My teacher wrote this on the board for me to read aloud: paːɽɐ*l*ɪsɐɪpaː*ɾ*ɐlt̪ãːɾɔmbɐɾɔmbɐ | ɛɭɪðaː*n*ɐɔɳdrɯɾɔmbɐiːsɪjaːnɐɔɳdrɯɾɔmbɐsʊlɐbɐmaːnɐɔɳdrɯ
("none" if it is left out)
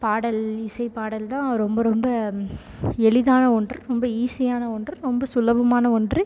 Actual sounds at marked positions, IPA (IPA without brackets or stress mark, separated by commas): l, ɽ, n